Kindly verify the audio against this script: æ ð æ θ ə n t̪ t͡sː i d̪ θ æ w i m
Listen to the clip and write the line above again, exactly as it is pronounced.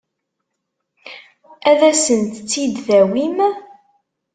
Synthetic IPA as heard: æ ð æ s ə n t̪ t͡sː i d̪ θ æ w i m